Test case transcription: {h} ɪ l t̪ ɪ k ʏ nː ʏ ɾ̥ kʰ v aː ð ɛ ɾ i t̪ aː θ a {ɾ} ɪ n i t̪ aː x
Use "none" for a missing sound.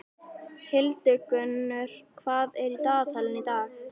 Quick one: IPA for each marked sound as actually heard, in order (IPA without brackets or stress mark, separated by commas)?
h, l